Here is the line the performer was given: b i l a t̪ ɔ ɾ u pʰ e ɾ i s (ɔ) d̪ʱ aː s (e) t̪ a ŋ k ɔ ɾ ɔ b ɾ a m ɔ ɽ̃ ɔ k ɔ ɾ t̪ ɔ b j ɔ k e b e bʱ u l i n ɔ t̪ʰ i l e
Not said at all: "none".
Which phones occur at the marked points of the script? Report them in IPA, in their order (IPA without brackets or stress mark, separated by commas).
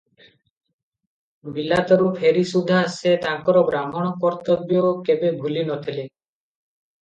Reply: u, e